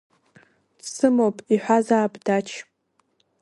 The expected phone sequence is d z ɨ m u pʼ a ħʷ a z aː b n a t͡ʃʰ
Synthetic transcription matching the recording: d s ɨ m o pʼ i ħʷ a z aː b d a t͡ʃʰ